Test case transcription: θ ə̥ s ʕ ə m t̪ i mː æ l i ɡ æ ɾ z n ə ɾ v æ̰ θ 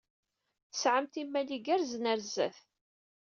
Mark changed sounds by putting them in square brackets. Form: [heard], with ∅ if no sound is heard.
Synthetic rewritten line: θ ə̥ s ʕ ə m t̪ i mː æ l i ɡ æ ɾ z n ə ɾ [z] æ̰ θ